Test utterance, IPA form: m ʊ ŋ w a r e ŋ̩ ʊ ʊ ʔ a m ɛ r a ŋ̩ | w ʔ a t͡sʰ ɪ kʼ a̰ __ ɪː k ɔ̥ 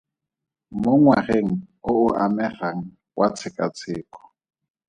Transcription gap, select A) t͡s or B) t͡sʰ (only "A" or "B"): B